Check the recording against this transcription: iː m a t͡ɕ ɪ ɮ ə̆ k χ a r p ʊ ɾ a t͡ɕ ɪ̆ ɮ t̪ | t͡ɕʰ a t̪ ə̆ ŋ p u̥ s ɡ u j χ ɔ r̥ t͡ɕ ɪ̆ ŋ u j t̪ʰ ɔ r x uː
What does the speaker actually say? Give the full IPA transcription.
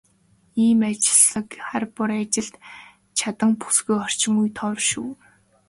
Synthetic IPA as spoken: iː m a t͡ɕ ɪ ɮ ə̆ k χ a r p ʊ ɾ a t͡ɕ ɪ̆ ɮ t̪ | t͡ɕʰ a t̪ ə̆ ŋ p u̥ s ɡ u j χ ɔ r̥ t͡ɕ ɪ̆ ŋ u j t̪ʰ ɔ r ʃ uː